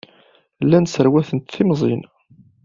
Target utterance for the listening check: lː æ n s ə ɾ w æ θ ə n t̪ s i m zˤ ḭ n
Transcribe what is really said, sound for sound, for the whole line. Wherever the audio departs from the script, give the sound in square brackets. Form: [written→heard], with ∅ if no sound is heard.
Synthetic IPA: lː æ n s ə ɾ w æ θ ə n t̪ [s→θ] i m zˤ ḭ n